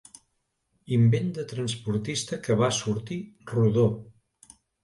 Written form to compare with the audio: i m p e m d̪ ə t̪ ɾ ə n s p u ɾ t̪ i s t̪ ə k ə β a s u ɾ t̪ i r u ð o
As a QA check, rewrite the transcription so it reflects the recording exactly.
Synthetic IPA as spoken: i m b e n d̪ ə t̪ ɾ ə n s p u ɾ t̪ i s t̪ ə k ə β a s u ɾ t̪ i r u ð o